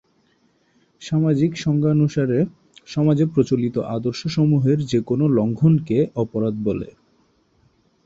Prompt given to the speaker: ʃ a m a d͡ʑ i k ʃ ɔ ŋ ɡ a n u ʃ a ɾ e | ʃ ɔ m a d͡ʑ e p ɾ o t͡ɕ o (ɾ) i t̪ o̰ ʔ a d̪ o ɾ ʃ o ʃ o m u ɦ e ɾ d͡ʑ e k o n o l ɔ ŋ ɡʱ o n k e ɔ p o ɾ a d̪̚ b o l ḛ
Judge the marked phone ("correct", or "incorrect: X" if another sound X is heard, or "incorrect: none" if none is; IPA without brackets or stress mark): incorrect: l